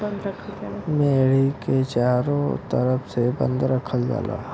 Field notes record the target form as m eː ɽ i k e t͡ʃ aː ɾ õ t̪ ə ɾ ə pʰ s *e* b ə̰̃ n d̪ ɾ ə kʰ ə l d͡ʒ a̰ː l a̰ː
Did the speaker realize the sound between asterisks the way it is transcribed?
yes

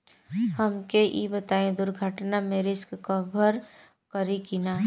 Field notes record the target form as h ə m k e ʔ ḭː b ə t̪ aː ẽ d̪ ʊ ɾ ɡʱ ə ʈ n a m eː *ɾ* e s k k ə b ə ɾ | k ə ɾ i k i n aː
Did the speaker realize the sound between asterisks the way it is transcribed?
yes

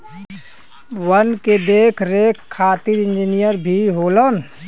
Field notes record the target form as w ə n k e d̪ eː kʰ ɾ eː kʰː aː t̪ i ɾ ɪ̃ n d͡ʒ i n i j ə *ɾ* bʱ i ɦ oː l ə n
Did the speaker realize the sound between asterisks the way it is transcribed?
yes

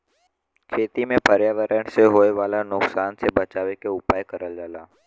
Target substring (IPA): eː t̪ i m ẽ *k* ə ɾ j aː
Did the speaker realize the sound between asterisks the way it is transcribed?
no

